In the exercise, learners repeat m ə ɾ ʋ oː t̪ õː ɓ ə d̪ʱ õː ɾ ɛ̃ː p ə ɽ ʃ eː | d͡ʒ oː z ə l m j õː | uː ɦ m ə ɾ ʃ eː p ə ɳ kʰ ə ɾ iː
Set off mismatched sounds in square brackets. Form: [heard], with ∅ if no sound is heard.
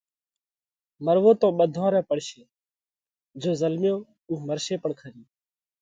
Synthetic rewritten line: m ə ɾ ʋ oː t̪ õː ɓ ə d̪ʱ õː ɾ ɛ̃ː p ə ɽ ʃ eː | d͡ʒ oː z ə l m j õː | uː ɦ m ə ɾ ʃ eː p ə ɳ kʰ ə ɾ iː